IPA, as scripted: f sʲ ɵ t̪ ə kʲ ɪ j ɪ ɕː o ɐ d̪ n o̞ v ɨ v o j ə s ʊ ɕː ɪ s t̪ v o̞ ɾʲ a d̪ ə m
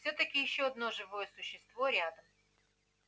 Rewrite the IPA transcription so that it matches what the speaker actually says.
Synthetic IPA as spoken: f sʲ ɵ t̪ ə kʲ ɪ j ɪ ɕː o ɐ d̪ n o̞ ʐ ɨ v o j ə s ʊ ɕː ɪ s t̪ v o̞ ɾʲ a d̪ ə m